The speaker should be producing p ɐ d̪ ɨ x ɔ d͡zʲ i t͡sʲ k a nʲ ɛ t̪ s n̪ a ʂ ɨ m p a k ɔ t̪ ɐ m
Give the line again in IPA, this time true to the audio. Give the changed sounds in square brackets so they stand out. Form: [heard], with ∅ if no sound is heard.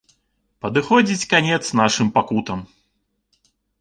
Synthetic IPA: p ɐ d̪ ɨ x ɔ d͡zʲ i t͡sʲ k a nʲ ɛ t̪ s n̪ a ʂ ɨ m p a k [u] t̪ ɐ m